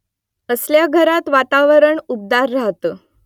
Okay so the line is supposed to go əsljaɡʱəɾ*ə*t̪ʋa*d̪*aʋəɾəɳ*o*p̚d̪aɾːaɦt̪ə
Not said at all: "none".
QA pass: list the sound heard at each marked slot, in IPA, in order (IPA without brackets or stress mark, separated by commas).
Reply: a, t̪, u